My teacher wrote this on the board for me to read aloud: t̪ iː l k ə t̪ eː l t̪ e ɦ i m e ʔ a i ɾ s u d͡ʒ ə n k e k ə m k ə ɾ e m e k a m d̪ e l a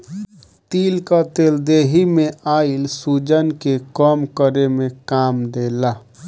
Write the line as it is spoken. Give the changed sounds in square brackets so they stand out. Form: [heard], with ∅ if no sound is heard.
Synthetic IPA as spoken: t̪ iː l k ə t̪ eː l [d̪] e ɦ i m e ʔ a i [l] s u d͡ʒ ə n k e k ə m k ə ɾ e m e k a m d̪ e l a

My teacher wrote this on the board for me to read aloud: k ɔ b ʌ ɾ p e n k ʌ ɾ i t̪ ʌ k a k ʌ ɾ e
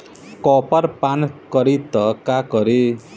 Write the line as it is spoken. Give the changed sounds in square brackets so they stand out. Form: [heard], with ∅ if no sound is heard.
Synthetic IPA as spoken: k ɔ [p] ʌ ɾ p [a] n k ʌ ɾ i t̪ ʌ k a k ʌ ɾ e

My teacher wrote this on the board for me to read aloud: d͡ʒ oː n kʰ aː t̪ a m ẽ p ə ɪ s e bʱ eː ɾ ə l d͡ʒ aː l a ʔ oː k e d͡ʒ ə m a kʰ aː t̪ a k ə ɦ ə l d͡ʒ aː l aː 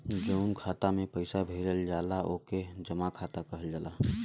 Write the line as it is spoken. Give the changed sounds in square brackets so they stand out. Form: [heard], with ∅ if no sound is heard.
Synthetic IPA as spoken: d͡ʒ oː n kʰ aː t̪ a m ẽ p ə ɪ s [a] bʱ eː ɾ ə l d͡ʒ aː l a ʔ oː k e d͡ʒ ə m a kʰ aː t̪ a k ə ɦ ə l d͡ʒ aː l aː

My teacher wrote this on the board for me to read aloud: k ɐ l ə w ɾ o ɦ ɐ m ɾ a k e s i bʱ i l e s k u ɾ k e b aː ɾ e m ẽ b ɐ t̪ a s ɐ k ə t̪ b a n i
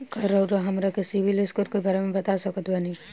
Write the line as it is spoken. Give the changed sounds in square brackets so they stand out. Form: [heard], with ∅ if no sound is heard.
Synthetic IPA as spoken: k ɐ [ɾ] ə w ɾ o ɦ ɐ m ɾ a k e s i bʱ i l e s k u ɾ k e b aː ɾ e m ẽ b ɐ t̪ a s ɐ k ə t̪ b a n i

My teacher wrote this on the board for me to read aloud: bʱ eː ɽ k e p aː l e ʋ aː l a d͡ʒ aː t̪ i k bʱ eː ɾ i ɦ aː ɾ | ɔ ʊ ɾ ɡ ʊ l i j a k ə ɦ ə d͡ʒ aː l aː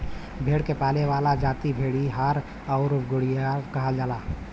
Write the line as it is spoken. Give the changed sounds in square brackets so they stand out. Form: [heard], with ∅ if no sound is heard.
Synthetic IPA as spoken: bʱ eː ɽ k e p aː l e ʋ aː l a d͡ʒ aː t̪ i [∅] bʱ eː [ɽ] i ɦ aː ɾ | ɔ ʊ ɾ ɡ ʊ [ɽ] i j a k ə ɦ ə d͡ʒ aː l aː

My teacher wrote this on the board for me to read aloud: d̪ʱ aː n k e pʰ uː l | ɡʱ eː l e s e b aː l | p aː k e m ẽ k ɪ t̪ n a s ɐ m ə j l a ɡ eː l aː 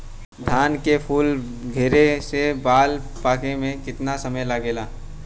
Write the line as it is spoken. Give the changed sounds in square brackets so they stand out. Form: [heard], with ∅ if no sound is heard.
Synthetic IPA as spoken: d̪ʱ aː n k e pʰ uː l | ɡʱ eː [ɾ] e s e b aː l | p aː k e m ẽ k ɪ t̪ n a s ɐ m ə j l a ɡ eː l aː

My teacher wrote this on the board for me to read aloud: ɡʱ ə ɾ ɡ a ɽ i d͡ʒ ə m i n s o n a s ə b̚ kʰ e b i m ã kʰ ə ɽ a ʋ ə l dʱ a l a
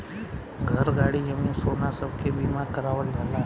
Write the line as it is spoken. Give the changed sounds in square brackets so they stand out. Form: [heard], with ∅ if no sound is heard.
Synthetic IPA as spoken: ɡʱ ə ɾ ɡ a ɽ i d͡ʒ ə m i n s o n a s ə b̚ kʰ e b i m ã [k] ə [ɾ] a ʋ ə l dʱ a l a

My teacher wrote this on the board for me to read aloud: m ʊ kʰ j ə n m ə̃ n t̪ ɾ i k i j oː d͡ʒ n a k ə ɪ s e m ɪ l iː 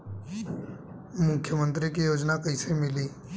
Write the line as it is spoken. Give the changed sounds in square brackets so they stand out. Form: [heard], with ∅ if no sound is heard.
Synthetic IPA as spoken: m ʊ kʰ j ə [∅] m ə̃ n t̪ ɾ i k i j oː d͡ʒ n a k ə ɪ s e m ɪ l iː

